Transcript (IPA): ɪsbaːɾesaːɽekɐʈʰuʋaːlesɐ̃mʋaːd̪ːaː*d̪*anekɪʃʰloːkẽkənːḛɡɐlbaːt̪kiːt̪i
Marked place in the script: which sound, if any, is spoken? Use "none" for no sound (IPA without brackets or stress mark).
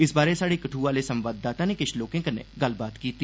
t̪